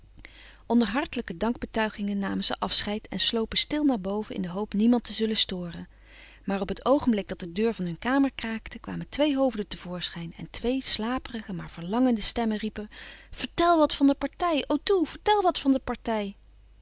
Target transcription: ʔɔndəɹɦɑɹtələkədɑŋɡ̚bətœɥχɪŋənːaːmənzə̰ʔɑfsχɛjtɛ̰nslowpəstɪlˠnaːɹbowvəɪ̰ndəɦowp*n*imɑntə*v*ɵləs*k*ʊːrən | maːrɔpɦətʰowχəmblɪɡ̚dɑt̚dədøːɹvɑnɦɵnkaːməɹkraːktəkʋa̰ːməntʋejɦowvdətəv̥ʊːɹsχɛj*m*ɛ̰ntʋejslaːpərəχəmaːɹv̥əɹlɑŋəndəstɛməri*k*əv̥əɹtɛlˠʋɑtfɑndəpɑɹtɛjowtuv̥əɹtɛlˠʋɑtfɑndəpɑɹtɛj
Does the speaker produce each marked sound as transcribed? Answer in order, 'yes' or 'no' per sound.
yes, no, no, no, no

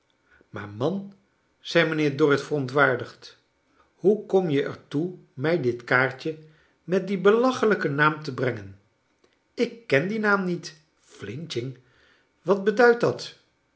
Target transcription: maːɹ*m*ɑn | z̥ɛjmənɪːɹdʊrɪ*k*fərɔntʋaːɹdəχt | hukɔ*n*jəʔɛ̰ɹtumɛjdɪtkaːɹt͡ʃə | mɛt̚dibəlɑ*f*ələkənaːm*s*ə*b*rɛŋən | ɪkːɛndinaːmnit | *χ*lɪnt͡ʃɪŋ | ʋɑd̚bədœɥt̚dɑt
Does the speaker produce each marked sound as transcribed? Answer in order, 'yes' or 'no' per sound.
yes, no, no, no, no, yes, no

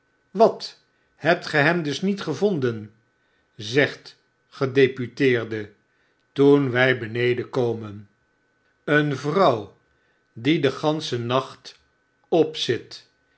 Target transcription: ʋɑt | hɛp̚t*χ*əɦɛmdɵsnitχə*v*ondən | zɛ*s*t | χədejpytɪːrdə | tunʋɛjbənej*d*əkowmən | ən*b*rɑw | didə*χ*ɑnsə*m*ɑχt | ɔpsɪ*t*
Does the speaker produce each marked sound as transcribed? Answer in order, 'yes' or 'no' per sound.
yes, yes, no, yes, no, yes, no, yes

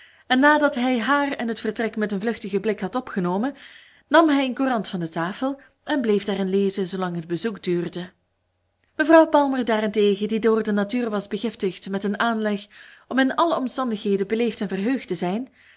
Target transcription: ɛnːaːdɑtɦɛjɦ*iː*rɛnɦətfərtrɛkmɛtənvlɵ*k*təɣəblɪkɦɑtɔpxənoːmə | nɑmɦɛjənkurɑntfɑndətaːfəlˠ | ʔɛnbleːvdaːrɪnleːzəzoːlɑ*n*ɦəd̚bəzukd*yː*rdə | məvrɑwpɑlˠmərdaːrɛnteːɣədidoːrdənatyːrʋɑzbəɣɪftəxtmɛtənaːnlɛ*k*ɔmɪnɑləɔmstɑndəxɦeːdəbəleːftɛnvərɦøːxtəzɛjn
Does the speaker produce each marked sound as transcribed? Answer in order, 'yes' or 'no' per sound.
no, no, no, yes, no

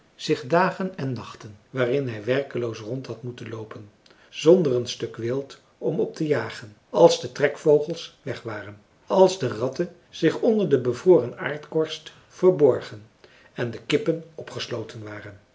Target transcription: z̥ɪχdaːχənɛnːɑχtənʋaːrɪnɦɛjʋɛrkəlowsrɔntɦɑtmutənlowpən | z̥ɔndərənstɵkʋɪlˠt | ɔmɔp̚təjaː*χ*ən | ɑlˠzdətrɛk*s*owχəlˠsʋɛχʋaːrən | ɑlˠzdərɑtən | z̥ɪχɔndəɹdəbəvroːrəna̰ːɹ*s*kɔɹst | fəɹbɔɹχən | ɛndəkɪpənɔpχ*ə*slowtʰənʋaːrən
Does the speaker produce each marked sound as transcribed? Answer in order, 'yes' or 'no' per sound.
yes, no, no, yes

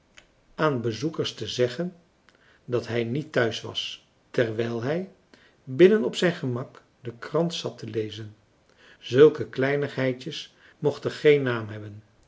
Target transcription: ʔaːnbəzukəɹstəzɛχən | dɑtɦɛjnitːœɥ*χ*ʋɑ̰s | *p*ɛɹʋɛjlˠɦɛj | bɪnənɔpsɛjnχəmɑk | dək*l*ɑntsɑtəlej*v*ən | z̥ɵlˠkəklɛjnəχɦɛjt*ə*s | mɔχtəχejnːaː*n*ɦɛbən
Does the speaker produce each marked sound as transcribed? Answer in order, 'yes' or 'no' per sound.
no, no, no, no, yes, no

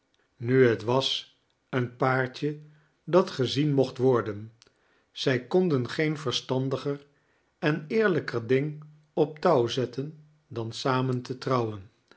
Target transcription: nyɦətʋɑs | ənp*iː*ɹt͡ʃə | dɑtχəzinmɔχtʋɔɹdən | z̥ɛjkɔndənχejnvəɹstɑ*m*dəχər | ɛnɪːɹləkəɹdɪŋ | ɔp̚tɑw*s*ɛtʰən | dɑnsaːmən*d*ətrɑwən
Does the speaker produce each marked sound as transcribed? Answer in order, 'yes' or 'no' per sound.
no, no, no, no

